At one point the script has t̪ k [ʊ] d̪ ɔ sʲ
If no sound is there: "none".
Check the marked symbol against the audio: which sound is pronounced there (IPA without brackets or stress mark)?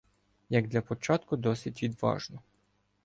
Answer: ʊ